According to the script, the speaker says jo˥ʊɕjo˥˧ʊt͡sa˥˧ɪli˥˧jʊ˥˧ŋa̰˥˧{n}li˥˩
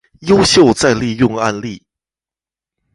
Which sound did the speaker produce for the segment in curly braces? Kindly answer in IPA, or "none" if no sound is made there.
n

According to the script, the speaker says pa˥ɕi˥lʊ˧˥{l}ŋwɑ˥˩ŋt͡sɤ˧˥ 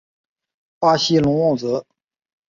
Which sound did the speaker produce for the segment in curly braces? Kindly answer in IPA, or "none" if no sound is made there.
none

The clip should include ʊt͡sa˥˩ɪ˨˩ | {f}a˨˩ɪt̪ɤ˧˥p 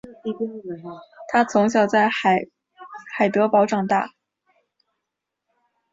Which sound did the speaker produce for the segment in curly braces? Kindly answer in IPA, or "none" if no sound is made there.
x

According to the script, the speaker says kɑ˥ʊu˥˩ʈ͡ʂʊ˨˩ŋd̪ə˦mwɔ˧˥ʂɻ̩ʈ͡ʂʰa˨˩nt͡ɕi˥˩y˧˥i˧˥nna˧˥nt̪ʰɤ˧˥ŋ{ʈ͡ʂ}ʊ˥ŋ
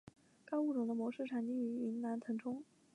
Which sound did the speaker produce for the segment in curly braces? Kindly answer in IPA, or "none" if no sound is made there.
ʈ͡ʂʰ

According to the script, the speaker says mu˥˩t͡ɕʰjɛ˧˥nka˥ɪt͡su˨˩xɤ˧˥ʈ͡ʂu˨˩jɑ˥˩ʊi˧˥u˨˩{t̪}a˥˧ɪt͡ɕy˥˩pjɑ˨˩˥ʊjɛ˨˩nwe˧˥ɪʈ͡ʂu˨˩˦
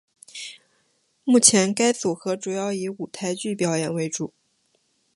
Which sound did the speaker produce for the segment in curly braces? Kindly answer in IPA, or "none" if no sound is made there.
t̪ʰ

